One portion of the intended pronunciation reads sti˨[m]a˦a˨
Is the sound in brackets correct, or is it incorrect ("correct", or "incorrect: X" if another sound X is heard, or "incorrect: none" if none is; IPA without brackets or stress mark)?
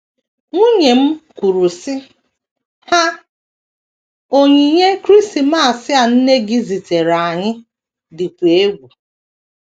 correct